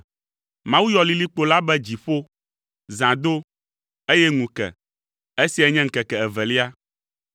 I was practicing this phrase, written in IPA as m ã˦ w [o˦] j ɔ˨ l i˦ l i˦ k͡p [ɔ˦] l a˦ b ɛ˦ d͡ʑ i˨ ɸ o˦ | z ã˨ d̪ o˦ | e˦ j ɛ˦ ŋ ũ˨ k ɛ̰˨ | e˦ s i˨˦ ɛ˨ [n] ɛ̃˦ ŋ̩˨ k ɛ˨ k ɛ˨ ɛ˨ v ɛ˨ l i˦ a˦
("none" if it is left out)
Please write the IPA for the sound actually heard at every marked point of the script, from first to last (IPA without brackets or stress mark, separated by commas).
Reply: u˦, o˦, ɲ